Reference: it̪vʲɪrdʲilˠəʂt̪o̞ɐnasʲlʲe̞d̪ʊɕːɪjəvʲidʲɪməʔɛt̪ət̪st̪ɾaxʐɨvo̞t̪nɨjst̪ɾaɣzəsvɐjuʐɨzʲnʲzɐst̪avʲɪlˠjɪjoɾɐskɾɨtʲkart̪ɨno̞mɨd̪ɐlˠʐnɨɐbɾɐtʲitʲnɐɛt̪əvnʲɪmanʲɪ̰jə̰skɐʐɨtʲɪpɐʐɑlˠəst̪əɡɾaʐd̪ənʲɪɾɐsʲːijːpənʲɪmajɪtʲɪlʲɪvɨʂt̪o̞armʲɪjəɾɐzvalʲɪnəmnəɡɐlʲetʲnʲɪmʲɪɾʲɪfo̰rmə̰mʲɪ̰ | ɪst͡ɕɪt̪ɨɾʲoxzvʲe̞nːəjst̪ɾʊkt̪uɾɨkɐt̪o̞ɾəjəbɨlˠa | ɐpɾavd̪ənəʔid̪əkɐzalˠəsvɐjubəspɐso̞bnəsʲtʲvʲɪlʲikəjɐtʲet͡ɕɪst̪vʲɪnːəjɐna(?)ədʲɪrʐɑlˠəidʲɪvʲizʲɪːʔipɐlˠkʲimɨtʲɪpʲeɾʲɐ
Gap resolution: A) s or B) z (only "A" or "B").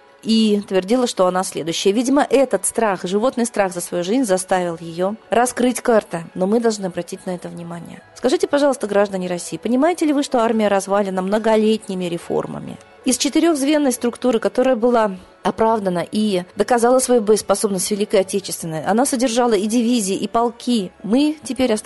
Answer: A